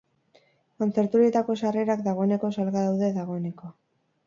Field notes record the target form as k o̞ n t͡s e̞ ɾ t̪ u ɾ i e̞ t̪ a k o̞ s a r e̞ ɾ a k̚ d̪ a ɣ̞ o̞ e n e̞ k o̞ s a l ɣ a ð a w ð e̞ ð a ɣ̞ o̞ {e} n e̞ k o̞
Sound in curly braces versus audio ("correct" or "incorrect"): correct